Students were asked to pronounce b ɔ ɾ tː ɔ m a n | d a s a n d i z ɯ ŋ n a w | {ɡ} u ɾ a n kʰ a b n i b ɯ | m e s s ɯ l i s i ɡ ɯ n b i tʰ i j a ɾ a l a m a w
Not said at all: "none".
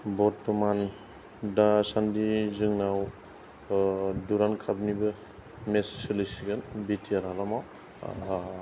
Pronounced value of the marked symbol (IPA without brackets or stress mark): d